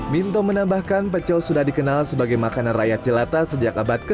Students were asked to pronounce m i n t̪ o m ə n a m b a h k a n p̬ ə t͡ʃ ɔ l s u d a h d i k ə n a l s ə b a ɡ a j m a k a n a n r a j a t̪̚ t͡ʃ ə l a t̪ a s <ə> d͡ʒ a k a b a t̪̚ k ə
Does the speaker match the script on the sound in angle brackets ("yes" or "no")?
yes